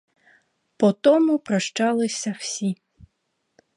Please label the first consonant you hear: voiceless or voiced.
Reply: voiceless